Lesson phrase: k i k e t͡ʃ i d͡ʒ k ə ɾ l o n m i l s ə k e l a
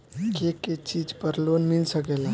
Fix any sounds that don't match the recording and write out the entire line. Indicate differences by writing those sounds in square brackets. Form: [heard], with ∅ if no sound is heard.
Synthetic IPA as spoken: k [e] k e t͡ʃ i d͡ʒ [p] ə ɾ l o n m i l s ə k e l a